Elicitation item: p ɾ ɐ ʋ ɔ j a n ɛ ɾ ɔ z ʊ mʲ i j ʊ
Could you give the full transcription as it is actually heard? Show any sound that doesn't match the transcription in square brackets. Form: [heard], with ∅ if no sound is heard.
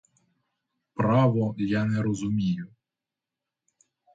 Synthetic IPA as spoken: p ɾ [ɑ] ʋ ɔ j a n ɛ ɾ ɔ z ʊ mʲ i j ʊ